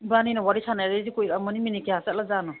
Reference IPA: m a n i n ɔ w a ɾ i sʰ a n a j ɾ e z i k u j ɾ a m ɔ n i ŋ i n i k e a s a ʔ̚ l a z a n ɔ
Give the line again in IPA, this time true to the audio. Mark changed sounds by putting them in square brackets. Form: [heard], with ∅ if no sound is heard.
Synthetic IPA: [b] a n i n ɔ w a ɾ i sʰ a n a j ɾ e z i k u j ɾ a m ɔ n i [m] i n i k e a s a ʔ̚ l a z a n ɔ